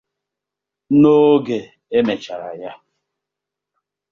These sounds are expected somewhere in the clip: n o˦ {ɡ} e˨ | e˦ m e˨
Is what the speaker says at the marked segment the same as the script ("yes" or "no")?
yes